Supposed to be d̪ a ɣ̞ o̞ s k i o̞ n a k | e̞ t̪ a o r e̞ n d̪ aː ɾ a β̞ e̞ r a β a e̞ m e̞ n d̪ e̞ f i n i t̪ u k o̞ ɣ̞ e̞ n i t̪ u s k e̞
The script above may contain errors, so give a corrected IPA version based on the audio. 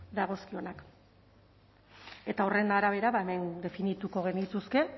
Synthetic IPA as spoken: d̪ a ɣ̞ o̞ s k i o̞ n a k | e̞ t̪ a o r e̞ n d̪ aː ɾ a β̞ e̞ ɾ a β a e̞ m e̞ n d̪ e̞ f i n i t̪ u k o̞ ɣ̞ e̞ n i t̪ u s k e̞